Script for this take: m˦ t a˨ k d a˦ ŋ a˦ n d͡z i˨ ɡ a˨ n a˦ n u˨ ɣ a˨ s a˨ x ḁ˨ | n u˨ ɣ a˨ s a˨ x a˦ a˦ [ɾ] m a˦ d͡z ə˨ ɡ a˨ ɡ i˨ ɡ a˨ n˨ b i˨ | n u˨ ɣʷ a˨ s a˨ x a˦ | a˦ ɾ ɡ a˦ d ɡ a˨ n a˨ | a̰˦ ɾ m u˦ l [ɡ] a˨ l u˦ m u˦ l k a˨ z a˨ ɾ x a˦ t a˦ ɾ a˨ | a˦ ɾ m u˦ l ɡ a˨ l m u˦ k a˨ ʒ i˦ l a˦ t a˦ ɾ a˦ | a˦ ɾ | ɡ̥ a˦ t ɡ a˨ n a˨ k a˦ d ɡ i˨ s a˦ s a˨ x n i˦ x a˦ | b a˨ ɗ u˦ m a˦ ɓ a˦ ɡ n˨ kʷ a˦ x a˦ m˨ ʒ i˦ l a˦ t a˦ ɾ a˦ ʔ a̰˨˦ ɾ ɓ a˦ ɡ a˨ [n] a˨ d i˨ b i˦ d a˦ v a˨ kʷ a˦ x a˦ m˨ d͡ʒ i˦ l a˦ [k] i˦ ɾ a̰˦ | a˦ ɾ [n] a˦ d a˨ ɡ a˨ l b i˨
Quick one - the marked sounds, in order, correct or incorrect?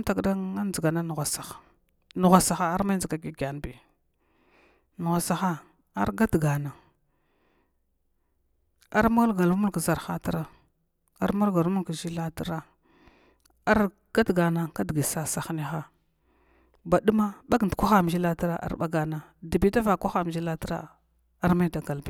correct, correct, correct, incorrect, incorrect

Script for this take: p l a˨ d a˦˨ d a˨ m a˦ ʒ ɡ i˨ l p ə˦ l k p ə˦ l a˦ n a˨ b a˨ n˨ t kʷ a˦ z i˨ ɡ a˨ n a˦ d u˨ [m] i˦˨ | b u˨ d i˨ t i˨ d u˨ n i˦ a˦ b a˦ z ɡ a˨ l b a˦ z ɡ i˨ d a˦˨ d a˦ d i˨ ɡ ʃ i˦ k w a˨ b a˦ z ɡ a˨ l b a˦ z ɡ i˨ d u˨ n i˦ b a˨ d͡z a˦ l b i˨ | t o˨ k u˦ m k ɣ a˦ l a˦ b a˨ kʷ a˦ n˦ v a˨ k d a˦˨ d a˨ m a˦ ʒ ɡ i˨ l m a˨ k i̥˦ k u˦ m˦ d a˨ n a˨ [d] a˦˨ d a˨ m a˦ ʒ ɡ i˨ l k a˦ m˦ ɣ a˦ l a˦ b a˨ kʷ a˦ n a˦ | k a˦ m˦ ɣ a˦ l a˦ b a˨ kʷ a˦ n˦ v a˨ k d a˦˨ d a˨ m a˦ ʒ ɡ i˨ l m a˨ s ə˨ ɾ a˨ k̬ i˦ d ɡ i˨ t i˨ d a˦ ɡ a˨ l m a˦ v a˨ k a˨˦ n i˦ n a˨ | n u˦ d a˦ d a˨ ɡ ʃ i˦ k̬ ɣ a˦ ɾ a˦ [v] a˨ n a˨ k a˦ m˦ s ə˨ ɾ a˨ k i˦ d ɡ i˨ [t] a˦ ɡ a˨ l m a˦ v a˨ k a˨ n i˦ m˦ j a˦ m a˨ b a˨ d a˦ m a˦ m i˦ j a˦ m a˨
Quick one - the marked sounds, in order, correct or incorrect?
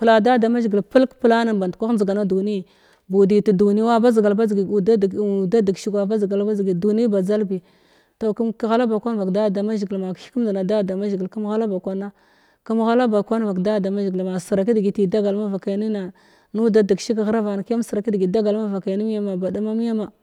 incorrect, correct, correct, incorrect

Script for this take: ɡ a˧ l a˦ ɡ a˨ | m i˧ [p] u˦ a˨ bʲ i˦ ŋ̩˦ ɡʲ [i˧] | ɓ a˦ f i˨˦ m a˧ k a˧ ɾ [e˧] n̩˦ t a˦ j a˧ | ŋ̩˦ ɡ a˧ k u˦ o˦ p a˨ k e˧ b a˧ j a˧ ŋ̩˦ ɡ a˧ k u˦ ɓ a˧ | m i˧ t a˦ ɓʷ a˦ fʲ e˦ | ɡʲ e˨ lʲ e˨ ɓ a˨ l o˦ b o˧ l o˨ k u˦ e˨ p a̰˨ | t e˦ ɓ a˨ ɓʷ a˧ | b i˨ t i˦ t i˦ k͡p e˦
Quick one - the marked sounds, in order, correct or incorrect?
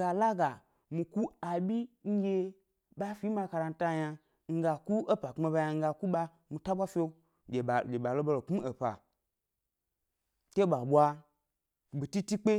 incorrect, incorrect, incorrect

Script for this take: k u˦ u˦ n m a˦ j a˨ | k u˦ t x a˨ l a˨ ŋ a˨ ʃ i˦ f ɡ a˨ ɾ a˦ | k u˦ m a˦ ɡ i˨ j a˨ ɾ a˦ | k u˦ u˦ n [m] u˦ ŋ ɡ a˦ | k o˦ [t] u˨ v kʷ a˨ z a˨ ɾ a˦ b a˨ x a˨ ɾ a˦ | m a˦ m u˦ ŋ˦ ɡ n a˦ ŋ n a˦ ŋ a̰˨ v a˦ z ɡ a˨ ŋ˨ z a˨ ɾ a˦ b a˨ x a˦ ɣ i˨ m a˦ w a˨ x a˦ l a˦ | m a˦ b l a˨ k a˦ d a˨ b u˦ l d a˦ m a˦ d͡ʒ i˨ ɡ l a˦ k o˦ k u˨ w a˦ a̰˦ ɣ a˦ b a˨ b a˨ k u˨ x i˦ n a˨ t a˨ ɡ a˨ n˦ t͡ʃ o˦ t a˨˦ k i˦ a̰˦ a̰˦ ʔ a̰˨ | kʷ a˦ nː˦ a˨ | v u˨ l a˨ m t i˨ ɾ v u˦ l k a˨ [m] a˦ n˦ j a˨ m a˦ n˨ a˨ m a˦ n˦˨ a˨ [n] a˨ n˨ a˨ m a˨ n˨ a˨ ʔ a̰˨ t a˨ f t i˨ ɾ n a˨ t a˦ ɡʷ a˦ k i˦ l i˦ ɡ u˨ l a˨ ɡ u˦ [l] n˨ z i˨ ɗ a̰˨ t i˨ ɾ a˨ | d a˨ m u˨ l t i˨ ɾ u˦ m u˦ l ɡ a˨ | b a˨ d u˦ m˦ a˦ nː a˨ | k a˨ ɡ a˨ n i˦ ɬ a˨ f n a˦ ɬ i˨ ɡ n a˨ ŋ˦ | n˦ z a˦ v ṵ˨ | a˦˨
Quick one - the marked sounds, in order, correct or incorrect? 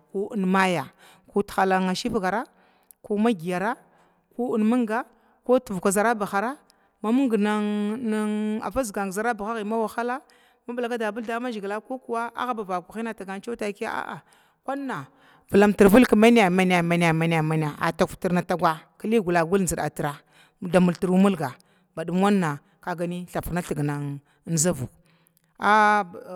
correct, correct, correct, incorrect, correct

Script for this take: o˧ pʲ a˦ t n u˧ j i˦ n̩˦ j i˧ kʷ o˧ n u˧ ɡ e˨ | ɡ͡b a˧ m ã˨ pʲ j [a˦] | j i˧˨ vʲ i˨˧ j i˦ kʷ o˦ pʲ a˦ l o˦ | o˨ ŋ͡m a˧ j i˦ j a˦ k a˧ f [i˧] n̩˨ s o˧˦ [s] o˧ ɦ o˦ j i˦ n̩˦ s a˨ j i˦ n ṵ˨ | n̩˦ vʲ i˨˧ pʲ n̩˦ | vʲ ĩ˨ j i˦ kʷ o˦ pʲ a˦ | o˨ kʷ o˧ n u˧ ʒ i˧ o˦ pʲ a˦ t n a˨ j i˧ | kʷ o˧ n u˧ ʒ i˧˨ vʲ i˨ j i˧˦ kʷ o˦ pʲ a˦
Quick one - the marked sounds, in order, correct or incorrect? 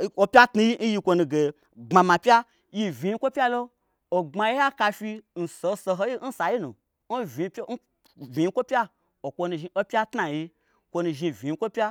correct, correct, correct

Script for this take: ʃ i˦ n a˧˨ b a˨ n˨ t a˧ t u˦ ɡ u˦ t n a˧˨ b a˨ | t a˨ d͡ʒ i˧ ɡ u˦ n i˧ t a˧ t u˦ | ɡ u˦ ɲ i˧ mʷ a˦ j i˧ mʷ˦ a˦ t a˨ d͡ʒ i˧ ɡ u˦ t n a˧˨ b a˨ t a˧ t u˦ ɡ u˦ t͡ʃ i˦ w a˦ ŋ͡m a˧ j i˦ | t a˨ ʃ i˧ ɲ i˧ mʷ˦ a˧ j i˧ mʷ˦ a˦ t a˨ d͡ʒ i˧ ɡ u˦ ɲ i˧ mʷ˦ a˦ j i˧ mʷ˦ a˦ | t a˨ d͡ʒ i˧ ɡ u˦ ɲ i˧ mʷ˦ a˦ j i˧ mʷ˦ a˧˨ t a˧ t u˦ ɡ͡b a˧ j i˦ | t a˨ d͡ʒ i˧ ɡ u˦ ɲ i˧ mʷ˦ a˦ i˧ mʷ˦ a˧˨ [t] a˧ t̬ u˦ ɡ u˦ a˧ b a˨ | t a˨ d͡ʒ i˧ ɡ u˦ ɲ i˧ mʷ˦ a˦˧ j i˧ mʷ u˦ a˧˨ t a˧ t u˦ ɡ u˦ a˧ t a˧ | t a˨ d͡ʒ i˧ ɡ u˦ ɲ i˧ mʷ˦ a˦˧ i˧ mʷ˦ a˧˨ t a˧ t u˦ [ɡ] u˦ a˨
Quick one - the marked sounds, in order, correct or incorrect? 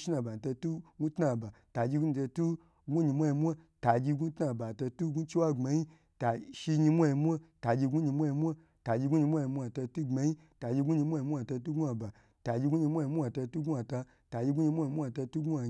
correct, correct

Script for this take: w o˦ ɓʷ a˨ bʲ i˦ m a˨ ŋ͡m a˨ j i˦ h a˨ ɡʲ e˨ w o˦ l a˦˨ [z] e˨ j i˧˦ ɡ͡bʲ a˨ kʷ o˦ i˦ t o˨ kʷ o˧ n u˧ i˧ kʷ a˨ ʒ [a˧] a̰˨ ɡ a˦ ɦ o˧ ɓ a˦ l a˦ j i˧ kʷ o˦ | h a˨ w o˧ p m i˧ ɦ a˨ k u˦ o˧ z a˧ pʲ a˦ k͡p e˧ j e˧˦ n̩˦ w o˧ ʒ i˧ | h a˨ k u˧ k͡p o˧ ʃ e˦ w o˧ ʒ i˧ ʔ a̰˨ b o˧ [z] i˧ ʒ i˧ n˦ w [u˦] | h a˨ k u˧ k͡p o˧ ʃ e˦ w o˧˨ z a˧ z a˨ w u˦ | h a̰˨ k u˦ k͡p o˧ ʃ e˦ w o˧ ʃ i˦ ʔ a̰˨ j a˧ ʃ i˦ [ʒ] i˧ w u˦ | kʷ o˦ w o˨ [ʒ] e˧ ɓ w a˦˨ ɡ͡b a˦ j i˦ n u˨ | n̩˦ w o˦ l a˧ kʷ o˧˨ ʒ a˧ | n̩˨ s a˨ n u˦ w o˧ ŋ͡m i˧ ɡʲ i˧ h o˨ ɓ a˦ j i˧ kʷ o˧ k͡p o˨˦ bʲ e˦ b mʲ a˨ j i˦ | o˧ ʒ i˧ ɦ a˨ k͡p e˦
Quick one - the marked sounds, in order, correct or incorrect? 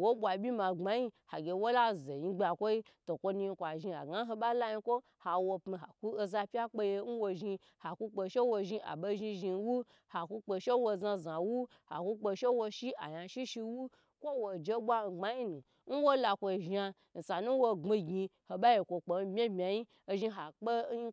correct, incorrect, incorrect, correct, incorrect, incorrect

